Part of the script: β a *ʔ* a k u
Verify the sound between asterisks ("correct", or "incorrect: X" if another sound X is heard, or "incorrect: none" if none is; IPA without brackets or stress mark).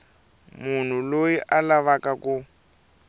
incorrect: k